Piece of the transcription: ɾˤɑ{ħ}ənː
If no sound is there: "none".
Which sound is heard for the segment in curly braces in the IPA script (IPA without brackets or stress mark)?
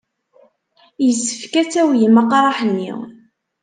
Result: ħ